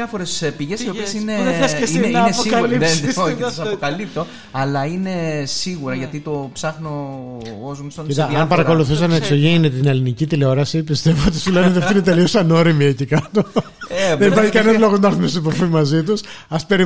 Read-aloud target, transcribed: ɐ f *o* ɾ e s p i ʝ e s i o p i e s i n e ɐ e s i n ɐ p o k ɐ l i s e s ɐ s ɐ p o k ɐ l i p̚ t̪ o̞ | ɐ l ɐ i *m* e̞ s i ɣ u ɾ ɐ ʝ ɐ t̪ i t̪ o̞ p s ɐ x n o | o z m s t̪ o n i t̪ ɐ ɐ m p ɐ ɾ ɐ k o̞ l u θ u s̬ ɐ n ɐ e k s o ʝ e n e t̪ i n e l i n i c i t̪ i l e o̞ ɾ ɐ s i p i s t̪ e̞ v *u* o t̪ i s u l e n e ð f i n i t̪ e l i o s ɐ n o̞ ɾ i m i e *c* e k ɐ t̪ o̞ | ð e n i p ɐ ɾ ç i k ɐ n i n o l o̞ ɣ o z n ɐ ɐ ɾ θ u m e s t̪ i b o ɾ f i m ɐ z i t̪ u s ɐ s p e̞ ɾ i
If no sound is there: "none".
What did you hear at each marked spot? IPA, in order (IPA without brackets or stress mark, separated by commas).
o, n, o, c